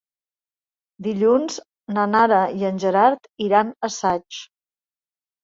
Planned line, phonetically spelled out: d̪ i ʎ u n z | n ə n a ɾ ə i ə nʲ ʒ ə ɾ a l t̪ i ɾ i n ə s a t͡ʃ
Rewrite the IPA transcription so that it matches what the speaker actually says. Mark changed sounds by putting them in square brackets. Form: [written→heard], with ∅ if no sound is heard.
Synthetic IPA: d̪ i ʎ u n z | n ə n a ɾ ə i ə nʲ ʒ ə ɾ a [l→ɾ] t̪ i ɾ [i→a] n ə s a t͡ʃ